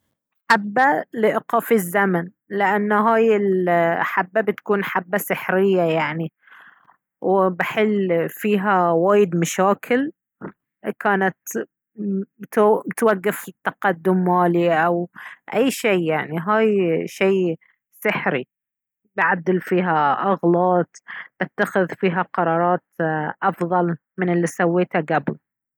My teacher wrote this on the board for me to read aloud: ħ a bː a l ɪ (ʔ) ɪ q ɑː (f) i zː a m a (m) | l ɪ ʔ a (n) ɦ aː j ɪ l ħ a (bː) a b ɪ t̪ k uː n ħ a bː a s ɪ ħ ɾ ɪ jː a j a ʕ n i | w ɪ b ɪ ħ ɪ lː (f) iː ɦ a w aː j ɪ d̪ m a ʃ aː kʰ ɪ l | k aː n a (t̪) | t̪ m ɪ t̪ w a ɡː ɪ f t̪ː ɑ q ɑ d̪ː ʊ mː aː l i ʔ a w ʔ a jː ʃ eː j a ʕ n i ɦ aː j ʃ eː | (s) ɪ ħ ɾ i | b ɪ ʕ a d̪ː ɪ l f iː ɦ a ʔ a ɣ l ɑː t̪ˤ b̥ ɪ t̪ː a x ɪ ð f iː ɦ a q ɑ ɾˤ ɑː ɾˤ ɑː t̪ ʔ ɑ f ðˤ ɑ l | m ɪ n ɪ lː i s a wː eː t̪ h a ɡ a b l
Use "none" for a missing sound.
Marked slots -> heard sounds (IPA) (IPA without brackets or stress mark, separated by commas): ʔ, f, n, nː, bː, f, t̪, s